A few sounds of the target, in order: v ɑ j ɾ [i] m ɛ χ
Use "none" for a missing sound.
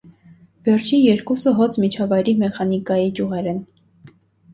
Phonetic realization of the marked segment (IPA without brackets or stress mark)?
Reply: i